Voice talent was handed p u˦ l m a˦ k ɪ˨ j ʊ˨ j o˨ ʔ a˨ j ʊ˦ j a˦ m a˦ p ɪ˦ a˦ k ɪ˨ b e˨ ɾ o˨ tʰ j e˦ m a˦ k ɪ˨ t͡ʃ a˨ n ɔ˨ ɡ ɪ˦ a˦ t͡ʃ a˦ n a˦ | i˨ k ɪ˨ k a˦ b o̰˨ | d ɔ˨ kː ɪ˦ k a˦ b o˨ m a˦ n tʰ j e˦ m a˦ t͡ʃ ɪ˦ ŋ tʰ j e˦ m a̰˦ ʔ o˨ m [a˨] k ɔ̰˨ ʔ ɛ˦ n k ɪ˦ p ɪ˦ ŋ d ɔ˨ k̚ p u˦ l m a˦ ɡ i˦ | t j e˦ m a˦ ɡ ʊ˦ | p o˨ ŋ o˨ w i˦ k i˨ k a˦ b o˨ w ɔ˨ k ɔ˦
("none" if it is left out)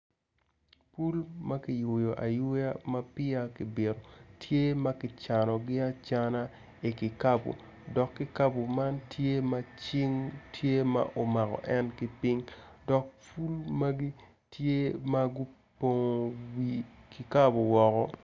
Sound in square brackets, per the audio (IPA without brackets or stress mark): a˨